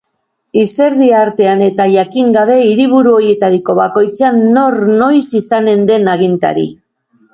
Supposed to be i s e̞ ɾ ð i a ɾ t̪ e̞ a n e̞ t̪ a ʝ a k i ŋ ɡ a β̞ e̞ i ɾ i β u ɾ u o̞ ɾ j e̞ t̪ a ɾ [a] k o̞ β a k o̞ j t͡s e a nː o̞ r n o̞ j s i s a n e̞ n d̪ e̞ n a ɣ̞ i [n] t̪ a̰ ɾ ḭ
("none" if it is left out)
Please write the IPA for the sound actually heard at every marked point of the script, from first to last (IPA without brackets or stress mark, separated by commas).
i, n